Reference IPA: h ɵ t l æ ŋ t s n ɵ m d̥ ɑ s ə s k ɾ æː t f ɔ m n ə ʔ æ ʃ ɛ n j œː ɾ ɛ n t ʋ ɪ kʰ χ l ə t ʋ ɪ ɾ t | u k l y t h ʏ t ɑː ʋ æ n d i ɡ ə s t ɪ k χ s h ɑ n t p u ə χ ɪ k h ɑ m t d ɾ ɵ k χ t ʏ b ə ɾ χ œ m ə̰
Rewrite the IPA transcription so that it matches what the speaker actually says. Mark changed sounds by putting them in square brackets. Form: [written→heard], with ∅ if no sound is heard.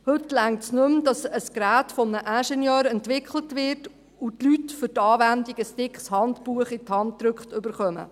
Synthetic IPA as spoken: h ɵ t l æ ŋ t s n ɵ m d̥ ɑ s ə s k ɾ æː t f ɔ m n ə ʔ æ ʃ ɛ n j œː ɾ ɛ n t ʋ ɪ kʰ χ l ə t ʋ ɪ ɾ t | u [k→t] l y t [h→f] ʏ t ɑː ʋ æ n d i ɡ ə s t ɪ k χ s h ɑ n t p u ə χ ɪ [k→t] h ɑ [m→n] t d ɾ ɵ k χ t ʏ b ə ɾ χ œ m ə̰

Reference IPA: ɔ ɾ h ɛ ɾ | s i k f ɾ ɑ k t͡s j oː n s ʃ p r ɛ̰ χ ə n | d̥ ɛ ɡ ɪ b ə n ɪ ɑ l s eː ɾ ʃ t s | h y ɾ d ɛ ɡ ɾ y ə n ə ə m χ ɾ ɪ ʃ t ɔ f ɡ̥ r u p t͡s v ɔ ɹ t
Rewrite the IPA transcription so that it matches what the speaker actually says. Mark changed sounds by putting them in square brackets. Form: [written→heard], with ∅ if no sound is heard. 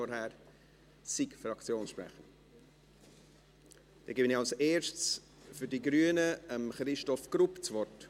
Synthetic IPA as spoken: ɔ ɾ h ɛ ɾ | s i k f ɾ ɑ k t͡s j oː n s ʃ p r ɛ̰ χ ə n | d̥ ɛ ɡ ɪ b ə n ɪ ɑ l s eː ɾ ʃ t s | [h→f] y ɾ d [ɛ→i] ɡ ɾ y ə n ə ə m χ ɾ ɪ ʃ t ɔ f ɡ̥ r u p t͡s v ɔ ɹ t

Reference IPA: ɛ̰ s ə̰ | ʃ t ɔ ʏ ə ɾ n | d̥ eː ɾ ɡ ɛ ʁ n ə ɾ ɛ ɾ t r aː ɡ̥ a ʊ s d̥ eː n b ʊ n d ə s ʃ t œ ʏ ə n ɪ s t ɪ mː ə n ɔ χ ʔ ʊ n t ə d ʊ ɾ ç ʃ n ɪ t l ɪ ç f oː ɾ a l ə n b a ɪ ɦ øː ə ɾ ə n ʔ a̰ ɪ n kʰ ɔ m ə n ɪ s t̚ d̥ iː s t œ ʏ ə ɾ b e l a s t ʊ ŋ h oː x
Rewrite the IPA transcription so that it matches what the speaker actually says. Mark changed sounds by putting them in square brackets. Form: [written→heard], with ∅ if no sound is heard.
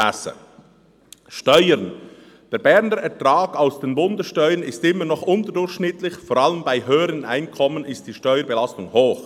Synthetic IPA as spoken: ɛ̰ s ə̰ | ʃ t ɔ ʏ ə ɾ n | d̥ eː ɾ [ɡ→b] ɛ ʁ n ə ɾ ɛ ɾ t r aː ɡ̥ a ʊ s d̥ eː n b ʊ n d ə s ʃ t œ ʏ ə n ɪ s t ɪ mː ə n ɔ χ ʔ ʊ n t ə d ʊ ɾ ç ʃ n ɪ t l ɪ ç f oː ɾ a l ə [n→m] b a ɪ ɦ øː ə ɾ ə n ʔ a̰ ɪ n kʰ ɔ m ə n ɪ s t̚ d̥ iː [s→ʃ] t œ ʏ ə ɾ b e l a s t ʊ ŋ h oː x

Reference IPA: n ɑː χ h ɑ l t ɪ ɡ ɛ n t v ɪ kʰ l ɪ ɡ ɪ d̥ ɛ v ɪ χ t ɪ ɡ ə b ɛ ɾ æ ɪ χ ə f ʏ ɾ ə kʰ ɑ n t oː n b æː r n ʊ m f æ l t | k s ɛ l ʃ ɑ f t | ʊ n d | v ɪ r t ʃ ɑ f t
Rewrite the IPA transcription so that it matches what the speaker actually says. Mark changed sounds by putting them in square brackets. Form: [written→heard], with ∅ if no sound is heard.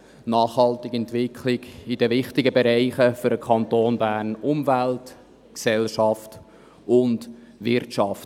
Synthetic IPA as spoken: n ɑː χ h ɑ l t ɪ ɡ ɛ n t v ɪ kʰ l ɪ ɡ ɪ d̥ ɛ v ɪ χ t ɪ ɡ ə b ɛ ɾ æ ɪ χ ə f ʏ ɾ ə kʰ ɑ n t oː n b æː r n ʊ m [f→v] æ l t | k s ɛ l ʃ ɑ f t | ʊ n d | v ɪ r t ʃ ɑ f t

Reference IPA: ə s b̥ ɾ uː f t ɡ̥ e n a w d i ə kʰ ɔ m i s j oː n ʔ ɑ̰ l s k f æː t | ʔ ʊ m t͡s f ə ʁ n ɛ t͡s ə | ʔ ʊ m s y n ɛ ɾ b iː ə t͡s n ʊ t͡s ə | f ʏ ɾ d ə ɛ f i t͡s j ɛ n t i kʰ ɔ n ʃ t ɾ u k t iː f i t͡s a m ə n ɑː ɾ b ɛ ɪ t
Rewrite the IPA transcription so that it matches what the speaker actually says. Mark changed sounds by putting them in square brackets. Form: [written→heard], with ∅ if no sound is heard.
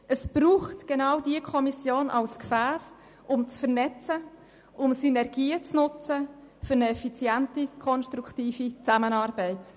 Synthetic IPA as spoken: ə s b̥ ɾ uː [f→χ] t ɡ̥ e n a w d i ə kʰ ɔ m i s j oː n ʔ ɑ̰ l s k f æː [t→s] | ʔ ʊ m t͡s f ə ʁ n ɛ t͡s ə | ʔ ʊ m s y n ɛ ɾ [b→ɡ] iː ə t͡s n ʊ t͡s ə | f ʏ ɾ [d→n] ə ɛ f i t͡s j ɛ n t i kʰ ɔ n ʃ t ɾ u k t iː f i t͡s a m ə n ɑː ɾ b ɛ ɪ t

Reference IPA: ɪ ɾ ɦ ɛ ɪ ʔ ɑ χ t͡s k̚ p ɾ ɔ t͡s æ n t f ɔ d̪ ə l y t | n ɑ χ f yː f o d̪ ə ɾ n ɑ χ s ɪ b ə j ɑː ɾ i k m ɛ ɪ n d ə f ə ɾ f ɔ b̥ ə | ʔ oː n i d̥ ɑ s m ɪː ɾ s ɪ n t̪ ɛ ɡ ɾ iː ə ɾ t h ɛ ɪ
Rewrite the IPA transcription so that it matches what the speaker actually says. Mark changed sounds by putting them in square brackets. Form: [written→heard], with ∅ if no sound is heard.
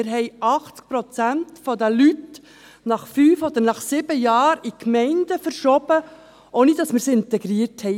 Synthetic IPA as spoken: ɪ ɾ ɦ ɛ ɪ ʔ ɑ χ t͡s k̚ p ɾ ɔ t͡s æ n t f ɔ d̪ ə l y t | n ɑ χ f yː f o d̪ ə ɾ n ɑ χ s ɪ b ə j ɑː ɾ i k m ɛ ɪ n d ə f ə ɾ [f→ʃ] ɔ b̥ ə | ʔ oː n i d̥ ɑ s m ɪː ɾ s ɪ n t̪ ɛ ɡ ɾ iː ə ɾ t h ɛ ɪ

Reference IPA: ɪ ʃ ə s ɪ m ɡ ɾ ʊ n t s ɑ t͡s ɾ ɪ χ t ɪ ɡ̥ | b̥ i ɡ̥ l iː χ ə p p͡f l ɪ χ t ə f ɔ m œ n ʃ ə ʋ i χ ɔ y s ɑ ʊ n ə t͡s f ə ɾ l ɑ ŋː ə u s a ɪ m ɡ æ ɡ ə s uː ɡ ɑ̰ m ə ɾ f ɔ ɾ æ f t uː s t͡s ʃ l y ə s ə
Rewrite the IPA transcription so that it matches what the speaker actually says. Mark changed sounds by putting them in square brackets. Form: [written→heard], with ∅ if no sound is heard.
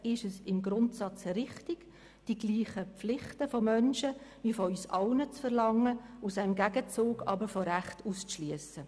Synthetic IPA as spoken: ɪ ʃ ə s ɪ m ɡ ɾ ʊ n t s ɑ t͡s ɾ ɪ χ t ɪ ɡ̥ | [b̥→d̥] i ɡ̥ l iː χ ə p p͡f l ɪ χ t ə f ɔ m œ n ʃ ə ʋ i [χ→f] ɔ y s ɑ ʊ n ə t͡s f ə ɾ l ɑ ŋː ə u s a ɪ m ɡ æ ɡ ə [s→t͡s] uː ɡ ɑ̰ [m→b] ə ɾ f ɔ ɾ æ [f→χ] t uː s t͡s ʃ l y ə s ə

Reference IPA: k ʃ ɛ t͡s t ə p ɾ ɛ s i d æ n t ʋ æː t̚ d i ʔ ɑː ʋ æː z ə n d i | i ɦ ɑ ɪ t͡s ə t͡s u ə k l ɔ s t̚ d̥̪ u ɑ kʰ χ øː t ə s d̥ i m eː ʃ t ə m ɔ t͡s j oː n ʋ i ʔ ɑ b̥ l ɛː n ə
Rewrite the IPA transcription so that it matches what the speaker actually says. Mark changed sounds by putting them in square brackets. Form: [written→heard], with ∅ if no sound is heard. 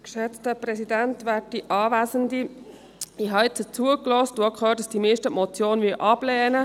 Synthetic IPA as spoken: k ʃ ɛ t͡s t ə p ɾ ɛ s i d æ n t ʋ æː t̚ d i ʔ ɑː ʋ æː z ə n d i | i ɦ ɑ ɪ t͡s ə t͡s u ə k l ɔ s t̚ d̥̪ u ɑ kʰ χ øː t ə s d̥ i m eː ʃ t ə m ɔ t͡s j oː n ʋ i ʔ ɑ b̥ l ɛː n ə

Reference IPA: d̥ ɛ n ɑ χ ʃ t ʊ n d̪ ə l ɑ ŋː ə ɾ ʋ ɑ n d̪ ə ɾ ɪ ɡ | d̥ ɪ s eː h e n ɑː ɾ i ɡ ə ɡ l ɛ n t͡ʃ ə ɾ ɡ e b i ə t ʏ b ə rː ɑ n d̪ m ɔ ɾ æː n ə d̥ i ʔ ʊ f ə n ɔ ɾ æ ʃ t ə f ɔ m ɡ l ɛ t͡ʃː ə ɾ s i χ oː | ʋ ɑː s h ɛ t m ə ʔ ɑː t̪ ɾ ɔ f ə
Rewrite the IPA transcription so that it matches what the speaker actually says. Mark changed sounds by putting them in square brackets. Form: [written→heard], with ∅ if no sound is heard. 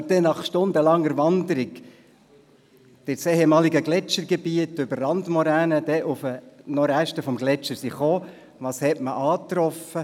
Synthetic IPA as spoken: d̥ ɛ n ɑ χ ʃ t ʊ n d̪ ə l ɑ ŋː ə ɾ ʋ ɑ n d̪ ə ɾ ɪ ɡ | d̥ ɪ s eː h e [n→m] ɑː [ɾ→l] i ɡ ə ɡ l ɛ [n→∅] t͡ʃ ə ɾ ɡ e b i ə t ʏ b ə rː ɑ n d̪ m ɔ ɾ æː n ə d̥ [i→ɛ] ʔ ʊ f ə n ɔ ɾ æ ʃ t ə f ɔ m ɡ l ɛ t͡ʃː ə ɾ s i χ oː | ʋ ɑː s h ɛ t m ə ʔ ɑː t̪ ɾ ɔ f ə

